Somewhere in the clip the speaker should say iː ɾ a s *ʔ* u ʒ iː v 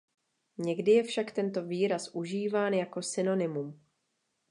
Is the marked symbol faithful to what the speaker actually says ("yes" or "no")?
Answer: yes